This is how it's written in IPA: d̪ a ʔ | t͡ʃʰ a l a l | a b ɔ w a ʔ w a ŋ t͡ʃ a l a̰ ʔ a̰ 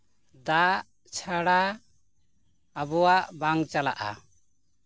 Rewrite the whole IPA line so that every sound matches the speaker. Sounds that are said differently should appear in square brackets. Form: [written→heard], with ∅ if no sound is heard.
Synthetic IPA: d̪ a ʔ | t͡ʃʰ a [l→ɽ] a [l→∅] | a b ɔ w a ʔ [w→b] a ŋ t͡ʃ a l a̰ ʔ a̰